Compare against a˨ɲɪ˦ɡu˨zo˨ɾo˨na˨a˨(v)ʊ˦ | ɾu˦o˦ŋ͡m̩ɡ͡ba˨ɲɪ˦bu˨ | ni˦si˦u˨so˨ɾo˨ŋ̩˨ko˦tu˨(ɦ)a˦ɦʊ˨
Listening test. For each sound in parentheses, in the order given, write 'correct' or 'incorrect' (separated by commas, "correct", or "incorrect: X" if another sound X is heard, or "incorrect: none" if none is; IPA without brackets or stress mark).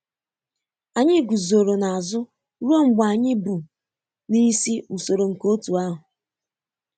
incorrect: z, incorrect: none